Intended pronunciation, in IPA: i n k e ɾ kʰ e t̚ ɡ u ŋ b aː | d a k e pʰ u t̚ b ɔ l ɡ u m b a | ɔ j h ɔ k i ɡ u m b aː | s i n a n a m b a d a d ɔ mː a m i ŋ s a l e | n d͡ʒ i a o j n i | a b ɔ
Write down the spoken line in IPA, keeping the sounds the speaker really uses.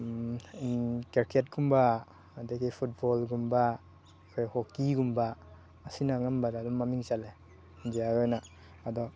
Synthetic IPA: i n k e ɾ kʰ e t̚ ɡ u m b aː | d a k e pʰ u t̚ b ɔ l ɡ u m b a | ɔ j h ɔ k i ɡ u m b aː | s i n a ŋ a m b a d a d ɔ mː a m i ŋ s a l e | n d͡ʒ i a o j n a | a d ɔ